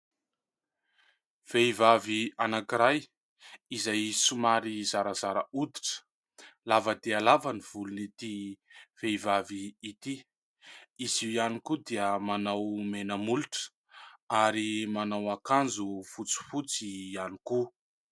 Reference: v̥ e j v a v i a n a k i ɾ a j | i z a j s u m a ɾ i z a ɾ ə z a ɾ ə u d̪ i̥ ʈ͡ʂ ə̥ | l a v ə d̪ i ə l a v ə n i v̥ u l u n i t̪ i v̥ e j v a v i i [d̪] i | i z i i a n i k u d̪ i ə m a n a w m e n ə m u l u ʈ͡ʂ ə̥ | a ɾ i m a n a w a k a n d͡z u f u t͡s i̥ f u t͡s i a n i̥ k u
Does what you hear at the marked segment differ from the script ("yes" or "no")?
yes